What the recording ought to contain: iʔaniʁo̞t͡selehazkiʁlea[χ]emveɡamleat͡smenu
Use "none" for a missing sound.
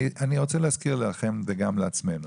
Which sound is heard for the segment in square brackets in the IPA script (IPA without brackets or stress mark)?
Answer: χ